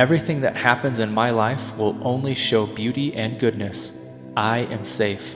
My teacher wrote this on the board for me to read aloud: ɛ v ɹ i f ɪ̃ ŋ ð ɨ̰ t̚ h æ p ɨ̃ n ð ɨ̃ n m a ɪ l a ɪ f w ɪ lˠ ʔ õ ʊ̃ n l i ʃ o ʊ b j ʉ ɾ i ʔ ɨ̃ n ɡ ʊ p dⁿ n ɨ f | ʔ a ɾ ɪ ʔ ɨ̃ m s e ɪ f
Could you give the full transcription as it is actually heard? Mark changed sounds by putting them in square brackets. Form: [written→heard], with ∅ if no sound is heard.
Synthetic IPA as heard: ɛ v ɹ i [f→θ] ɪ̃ ŋ ð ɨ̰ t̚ h æ p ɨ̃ n [ð→z] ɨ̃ n m a ɪ l a ɪ f w ɪ lˠ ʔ õ ʊ̃ n l i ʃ o ʊ b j ʉ ɾ i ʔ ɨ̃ n ɡ ʊ [p→∅] dⁿ n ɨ [f→s] | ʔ a [ɾ→∅] ɪ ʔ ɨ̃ m s e ɪ f